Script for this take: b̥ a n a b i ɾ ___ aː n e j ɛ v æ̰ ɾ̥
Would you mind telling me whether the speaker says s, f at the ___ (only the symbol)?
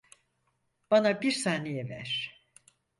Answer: s